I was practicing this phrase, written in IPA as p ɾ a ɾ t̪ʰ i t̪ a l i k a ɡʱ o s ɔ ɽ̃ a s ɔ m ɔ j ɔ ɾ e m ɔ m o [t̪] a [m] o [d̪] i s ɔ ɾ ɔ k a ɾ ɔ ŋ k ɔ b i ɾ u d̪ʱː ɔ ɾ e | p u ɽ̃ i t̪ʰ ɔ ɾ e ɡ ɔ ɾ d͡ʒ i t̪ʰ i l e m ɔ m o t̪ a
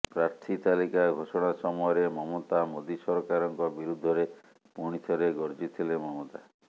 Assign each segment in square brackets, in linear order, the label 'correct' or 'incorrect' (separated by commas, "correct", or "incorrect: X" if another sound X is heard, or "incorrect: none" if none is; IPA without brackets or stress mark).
correct, correct, correct